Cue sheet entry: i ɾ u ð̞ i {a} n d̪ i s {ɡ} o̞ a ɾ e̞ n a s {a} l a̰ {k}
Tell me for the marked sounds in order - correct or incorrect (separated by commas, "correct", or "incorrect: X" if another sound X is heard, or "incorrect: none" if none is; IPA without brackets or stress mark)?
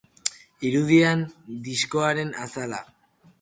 correct, incorrect: k, correct, incorrect: none